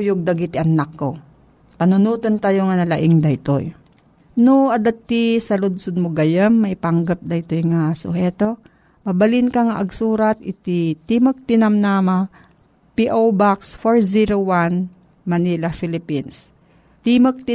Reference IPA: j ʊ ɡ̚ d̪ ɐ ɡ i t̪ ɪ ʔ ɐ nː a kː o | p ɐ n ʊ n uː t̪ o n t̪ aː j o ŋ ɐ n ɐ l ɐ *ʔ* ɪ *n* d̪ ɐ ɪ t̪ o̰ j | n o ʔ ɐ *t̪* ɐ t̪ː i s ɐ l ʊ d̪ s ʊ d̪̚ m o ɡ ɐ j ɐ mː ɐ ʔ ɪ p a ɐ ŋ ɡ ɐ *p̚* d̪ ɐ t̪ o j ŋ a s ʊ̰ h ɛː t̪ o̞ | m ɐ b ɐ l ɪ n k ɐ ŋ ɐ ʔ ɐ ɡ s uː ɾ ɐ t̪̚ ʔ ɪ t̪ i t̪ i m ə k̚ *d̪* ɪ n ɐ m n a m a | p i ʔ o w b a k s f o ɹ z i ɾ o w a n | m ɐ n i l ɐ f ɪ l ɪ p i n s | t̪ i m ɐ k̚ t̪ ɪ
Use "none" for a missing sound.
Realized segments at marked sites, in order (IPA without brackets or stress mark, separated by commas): ʔ, ŋ, d̪, p̚, t̪